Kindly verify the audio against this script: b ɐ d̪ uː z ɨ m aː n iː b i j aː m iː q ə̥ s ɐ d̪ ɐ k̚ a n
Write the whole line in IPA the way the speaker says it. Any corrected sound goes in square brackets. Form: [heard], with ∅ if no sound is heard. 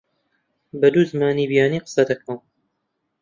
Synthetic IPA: b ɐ d̪ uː z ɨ m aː n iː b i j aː [n] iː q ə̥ s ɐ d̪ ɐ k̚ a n